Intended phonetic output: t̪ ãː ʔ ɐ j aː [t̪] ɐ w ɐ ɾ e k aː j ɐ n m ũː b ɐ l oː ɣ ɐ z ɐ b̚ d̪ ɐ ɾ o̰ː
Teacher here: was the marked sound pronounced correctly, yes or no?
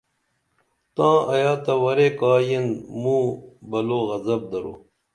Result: yes